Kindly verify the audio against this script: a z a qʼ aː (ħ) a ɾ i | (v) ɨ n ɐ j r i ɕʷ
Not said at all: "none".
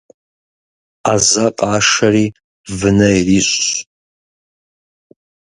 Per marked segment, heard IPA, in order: ʂ, v

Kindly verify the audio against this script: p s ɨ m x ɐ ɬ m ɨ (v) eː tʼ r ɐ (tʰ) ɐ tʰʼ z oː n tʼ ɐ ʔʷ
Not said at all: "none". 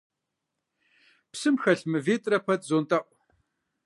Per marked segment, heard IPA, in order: v, pʰ

